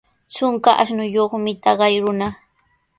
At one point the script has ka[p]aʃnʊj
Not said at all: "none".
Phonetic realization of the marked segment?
ʔ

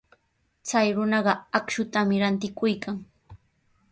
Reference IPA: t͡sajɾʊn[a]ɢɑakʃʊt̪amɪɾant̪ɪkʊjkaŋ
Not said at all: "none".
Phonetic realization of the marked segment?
ɑ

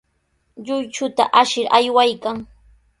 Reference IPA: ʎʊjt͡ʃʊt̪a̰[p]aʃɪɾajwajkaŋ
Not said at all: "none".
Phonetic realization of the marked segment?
ʔ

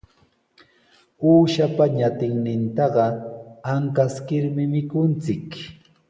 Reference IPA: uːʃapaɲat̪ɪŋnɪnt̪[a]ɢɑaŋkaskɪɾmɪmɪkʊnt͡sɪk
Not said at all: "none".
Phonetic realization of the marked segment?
ɑ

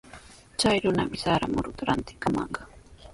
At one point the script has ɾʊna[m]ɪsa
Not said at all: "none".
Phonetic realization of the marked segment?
m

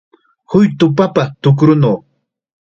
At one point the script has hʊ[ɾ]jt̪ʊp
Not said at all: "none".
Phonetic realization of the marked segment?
none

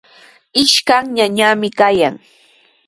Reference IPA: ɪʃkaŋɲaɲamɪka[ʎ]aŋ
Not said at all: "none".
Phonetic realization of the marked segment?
j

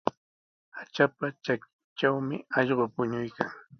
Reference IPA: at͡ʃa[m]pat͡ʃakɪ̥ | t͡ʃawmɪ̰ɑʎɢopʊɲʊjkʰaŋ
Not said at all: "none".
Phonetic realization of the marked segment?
none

